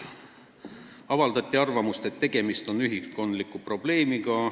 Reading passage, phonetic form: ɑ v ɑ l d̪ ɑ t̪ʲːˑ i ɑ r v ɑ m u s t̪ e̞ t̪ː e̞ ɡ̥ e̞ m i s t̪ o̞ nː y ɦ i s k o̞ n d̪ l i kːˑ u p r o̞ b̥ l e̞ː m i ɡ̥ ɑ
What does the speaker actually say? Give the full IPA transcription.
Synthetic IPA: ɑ v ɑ l d̪ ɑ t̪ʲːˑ i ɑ r v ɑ m u s t̪ e̞ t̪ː e̞ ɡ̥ e̞ m i s t̪ o̞ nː y ɦ i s k o̞ n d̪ l i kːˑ u p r o̞ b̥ l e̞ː m i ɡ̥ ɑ